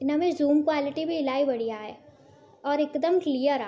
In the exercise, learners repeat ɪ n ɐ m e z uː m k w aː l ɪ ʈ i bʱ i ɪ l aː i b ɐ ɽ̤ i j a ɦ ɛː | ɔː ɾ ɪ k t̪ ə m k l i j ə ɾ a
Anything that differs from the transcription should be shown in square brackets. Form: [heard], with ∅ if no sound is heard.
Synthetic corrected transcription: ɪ n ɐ m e z uː m k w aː l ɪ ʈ i bʱ i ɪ l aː i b ɐ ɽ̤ i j a ɦ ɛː | ɔː ɾ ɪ k [d̪] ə m k l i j ə ɾ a

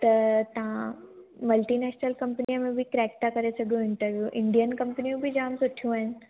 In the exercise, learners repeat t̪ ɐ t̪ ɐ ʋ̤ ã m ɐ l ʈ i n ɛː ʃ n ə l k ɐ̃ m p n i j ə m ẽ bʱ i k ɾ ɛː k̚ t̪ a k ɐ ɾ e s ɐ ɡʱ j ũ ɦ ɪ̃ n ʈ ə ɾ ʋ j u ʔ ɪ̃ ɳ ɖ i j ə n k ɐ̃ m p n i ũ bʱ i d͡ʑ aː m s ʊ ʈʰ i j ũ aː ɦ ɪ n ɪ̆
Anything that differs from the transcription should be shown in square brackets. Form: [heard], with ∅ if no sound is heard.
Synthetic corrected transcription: t̪ ɐ t̪ ɐ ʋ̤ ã m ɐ l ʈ i n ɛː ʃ n ə l k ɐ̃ m p n i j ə m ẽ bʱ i k ɾ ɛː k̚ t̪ a k ɐ ɾ e s ɐ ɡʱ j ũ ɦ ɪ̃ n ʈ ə ɾ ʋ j u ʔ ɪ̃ ɳ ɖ i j ə n k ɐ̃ m p n i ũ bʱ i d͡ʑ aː m s ʊ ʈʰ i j ũ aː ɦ ɪ n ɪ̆

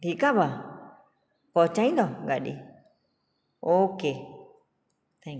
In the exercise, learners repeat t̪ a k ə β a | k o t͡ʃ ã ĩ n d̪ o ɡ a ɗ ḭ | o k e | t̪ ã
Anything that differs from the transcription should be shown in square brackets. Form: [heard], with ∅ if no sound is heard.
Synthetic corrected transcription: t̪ [i] k [a] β a | k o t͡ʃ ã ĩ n d̪ o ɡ a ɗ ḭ | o k e | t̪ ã

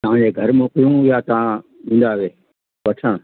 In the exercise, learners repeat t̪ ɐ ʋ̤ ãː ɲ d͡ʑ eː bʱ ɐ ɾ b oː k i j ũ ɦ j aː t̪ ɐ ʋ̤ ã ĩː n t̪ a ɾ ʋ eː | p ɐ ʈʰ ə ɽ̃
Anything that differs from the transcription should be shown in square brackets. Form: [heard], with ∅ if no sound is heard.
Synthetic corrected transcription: t̪ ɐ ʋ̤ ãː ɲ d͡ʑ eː [ɡʱ] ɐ ɾ [m] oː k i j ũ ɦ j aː t̪ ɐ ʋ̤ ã ĩː n [d̪] a [∅] ʋ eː | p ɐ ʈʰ ə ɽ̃

